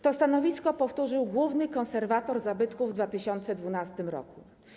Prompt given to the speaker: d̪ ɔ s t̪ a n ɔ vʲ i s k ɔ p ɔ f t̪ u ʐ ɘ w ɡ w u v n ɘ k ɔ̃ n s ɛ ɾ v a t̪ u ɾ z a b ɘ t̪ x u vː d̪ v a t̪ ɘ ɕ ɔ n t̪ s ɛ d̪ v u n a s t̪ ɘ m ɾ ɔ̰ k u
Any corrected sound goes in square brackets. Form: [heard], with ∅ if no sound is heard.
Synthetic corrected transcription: [t̪] ɔ s t̪ a n ɔ vʲ i s k ɔ p ɔ f t̪ u ʐ ɘ w ɡ w u v n ɘ k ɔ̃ n s ɛ ɾ v a t̪ [ɔ] ɾ z a b ɘ t̪ [k] u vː d̪ v a t̪ ɘ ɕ ɔ n t̪ s ɛ d̪ v u n a s t̪ ɘ m ɾ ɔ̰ k u